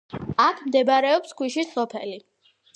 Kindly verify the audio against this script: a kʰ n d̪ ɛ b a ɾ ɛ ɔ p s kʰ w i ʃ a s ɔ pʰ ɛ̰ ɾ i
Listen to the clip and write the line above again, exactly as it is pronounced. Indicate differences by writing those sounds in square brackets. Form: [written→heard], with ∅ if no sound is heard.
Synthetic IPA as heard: a kʰ [n→m] d̪ ɛ b a ɾ ɛ ɔ p s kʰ w i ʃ [a→i] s ɔ pʰ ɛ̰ [ɾ→l] i